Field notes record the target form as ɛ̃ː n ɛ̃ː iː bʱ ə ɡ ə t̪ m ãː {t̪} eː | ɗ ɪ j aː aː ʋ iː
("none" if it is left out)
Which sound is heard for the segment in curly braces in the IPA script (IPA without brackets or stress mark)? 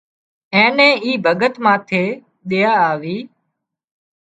t̪ʰ